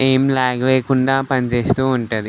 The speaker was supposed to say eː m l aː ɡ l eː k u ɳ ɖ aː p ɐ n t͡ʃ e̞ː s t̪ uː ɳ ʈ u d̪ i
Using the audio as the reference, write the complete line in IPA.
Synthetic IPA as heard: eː m l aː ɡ l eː k u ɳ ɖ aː p ɐ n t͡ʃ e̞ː s t̪ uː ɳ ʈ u d̪ i